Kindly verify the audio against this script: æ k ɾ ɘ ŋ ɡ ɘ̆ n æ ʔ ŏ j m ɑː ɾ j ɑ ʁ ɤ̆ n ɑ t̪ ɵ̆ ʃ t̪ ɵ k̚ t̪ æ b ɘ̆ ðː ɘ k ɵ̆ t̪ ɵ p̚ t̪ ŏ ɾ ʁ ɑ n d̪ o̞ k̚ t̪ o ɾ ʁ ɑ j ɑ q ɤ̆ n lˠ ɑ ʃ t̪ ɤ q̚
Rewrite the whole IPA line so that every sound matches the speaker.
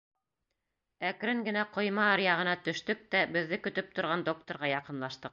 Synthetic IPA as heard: æ k ɾ ɘ ŋ ɡ ɘ̆ n æ q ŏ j m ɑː ɾ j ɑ ʁ ɤ̆ n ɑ t̪ ɵ̆ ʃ t̪ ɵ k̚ t̪ æ b ɘ̆ ðː ɘ k ɵ̆ t̪ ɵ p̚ t̪ ŏ ɾ ʁ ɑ n d̪ o̞ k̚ t̪ o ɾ ʁ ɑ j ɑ q ɤ̆ n lˠ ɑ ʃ t̪ ɤ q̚